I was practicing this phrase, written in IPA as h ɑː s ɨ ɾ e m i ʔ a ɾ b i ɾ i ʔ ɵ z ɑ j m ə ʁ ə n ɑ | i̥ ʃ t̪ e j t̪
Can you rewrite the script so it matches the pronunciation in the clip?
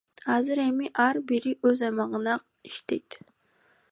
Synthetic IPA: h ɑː z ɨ ɾ e m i ʔ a ɾ b i ɾ i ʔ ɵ z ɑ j m ɑ ʁ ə n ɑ | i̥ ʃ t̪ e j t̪